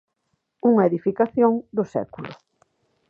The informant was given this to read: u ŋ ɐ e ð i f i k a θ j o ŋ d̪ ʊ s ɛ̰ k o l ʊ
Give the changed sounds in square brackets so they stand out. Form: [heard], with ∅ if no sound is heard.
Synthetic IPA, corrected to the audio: u ŋ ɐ e ð i f i k a θ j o ŋ d̪ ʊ s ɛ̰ k [u] l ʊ